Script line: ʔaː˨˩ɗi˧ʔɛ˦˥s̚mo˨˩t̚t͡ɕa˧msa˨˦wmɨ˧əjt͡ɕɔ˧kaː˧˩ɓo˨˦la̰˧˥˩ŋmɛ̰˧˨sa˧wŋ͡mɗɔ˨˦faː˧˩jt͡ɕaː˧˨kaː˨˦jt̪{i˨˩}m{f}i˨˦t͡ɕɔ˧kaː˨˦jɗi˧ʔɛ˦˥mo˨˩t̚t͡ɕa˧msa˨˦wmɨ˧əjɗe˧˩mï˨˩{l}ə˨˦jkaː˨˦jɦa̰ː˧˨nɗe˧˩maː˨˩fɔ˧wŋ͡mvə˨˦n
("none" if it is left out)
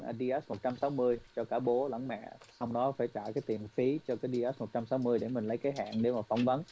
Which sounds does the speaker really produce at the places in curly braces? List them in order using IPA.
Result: i˨˩, f, l

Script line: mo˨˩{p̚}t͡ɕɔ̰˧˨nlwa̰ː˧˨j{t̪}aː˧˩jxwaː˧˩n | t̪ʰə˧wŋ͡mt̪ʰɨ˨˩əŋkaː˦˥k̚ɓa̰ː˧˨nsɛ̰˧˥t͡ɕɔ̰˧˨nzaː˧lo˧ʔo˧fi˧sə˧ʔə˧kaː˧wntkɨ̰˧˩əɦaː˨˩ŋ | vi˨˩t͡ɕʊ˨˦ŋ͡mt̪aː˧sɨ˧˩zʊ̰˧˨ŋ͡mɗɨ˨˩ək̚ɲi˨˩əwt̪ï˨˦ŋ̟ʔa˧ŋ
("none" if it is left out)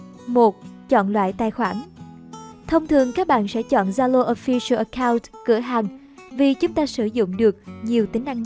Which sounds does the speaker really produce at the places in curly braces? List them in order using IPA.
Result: t̚, t̪

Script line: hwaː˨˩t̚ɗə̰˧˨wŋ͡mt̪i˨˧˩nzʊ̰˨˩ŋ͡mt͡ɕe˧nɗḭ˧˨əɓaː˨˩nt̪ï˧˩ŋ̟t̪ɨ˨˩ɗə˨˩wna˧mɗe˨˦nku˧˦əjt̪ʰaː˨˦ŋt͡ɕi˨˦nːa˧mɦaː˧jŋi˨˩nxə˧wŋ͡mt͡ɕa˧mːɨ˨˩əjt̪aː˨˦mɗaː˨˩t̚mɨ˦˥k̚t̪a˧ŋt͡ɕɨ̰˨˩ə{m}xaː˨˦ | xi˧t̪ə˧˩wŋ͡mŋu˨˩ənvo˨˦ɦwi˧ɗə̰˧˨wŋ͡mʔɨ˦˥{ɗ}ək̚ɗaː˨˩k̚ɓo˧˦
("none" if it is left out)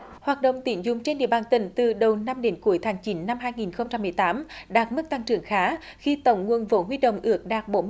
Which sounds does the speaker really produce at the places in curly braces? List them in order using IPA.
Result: ŋ, none

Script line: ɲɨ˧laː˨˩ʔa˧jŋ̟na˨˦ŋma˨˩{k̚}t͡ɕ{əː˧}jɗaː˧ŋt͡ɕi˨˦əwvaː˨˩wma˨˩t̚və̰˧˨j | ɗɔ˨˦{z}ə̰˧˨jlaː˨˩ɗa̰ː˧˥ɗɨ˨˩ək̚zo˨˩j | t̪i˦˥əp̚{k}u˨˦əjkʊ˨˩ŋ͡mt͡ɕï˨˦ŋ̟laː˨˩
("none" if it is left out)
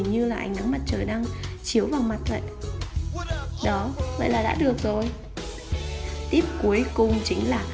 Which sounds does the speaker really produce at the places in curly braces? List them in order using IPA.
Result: t̚, əː˨˩, v, k

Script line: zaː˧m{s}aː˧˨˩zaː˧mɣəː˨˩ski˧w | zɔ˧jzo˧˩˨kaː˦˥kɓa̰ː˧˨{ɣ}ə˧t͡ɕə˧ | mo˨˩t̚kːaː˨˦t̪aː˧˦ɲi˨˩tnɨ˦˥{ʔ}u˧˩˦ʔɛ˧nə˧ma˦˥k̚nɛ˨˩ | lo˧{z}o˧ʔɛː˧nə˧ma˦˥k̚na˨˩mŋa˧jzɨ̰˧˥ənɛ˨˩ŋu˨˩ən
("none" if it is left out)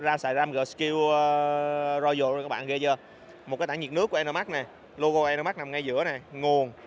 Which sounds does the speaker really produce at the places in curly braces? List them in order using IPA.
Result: s, ɣ, k, ɣ

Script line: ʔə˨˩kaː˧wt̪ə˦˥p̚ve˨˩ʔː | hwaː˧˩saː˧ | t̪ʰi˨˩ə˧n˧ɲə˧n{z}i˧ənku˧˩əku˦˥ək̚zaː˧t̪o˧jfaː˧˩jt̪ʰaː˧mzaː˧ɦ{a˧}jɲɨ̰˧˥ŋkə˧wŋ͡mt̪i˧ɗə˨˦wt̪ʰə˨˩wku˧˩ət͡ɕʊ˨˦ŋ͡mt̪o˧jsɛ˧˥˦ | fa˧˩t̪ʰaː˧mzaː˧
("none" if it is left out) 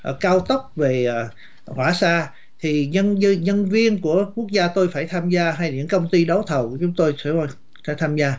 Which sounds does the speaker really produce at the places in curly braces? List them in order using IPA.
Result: v, a˧

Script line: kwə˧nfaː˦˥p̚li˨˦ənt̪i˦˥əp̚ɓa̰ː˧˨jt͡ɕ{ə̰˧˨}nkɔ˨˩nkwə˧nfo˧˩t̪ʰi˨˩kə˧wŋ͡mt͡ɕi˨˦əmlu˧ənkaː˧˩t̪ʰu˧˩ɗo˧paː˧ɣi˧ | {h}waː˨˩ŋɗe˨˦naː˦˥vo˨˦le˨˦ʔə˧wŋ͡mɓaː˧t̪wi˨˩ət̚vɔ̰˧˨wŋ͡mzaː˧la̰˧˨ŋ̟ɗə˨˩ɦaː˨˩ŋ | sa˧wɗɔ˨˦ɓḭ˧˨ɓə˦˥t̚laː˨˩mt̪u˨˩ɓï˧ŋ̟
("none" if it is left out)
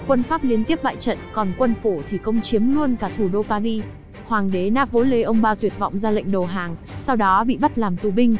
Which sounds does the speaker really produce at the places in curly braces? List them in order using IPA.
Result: ə̰˧˨, h

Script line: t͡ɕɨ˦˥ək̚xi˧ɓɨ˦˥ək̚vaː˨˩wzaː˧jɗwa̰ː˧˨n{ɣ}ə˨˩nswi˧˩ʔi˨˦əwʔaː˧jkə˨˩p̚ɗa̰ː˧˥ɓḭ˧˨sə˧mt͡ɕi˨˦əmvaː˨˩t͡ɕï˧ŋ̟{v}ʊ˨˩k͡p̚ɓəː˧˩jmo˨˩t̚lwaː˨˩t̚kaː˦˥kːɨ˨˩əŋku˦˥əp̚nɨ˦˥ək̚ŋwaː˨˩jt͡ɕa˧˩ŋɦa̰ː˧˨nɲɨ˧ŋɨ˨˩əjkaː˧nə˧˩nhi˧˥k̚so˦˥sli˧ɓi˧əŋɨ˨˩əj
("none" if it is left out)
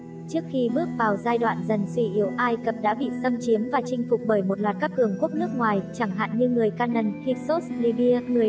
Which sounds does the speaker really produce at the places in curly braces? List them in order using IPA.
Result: z, f

